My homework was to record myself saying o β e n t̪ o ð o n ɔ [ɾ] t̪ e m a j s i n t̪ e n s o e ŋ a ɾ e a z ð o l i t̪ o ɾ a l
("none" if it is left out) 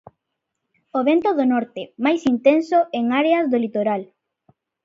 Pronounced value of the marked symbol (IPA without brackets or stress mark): ɾ